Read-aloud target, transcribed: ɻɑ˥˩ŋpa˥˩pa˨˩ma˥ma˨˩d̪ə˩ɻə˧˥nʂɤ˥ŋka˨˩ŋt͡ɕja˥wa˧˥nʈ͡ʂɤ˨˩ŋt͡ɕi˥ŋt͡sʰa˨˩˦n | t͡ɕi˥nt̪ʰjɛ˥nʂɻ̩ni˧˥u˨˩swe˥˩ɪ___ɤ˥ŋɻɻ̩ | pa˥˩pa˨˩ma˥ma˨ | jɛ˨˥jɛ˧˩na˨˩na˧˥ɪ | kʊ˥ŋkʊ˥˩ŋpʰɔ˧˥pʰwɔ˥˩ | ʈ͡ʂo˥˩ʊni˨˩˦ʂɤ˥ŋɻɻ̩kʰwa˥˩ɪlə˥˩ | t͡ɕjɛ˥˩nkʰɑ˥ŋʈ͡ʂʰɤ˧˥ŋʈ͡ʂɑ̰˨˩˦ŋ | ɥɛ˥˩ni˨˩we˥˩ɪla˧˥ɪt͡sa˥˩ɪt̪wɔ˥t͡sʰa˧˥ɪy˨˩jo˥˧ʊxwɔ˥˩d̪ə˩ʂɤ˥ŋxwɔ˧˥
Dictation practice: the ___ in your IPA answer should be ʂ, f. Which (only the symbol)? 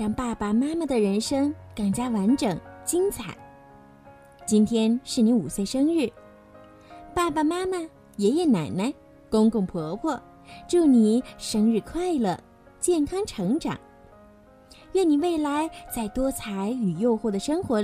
ʂ